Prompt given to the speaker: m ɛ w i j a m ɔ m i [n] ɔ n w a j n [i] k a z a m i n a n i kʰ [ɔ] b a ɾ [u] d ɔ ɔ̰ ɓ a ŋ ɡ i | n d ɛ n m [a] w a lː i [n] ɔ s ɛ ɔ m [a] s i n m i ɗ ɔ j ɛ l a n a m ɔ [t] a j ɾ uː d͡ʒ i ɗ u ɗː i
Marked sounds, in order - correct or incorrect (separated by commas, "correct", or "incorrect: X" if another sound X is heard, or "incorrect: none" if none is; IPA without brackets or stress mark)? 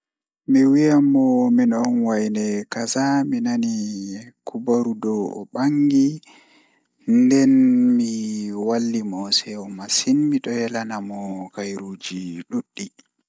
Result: correct, incorrect: ɛ, incorrect: u, correct, incorrect: i, incorrect: m, correct, incorrect: k